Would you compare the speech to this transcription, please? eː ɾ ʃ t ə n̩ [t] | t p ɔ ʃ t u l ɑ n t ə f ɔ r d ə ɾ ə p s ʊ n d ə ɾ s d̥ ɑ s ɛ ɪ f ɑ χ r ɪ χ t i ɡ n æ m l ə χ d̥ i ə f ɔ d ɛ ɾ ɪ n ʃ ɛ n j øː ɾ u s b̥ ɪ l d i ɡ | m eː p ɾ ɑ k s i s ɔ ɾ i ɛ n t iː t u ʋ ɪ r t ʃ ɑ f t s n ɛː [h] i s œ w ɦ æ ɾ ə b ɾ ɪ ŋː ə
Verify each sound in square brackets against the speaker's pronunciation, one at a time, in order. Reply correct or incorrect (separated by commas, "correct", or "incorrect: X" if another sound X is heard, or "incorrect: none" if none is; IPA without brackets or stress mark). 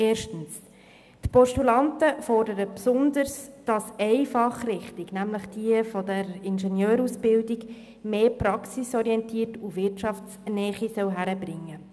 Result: incorrect: s, incorrect: χ